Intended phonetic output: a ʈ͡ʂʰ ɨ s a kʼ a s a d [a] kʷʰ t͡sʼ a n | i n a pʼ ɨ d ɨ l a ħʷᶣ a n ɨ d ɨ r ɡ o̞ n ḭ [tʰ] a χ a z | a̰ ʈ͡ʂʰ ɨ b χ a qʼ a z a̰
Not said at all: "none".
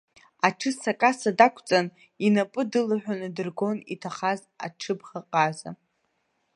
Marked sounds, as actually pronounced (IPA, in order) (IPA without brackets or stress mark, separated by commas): a, tʰ